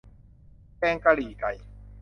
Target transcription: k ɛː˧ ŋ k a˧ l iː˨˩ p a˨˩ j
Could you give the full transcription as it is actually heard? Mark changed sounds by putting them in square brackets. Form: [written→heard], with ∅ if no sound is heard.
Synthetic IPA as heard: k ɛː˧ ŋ k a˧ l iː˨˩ [p→k] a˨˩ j